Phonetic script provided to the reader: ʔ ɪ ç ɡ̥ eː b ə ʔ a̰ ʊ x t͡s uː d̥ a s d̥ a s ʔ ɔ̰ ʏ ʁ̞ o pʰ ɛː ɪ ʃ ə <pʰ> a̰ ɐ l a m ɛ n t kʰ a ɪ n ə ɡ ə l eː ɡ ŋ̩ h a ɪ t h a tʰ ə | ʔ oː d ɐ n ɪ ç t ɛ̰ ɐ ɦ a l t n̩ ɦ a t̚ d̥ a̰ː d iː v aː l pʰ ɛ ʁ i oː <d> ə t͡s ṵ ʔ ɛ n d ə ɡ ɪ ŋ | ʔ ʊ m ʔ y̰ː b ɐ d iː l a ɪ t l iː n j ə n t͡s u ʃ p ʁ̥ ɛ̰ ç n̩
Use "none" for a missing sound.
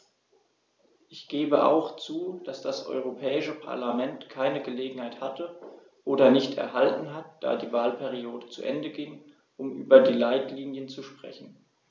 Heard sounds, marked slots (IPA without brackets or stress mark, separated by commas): pʰ, d